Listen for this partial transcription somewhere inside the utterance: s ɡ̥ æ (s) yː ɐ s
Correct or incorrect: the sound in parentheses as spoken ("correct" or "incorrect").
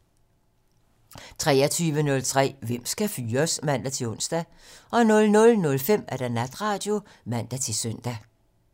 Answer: incorrect